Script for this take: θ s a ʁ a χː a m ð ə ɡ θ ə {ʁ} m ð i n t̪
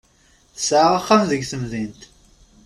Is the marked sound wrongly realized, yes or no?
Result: yes